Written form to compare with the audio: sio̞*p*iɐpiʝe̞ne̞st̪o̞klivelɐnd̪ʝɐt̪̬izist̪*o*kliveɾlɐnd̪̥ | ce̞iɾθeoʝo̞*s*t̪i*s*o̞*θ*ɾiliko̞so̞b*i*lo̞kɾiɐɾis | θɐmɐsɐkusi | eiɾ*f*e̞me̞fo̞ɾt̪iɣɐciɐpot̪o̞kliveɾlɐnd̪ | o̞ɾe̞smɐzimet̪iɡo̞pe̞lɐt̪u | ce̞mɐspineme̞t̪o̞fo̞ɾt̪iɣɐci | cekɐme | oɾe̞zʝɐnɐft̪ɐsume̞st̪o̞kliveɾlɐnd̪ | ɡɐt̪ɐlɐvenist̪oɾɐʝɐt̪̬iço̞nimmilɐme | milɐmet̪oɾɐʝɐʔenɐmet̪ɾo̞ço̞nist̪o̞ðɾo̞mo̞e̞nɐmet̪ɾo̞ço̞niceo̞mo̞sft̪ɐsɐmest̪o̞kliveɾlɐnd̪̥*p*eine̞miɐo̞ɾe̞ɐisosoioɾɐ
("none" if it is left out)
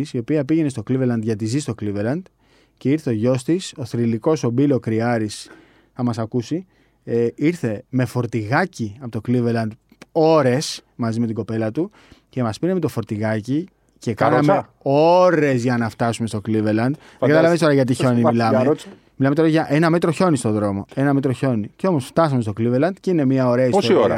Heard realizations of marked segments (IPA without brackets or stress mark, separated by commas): p, o, s, s, θ, i, θ, c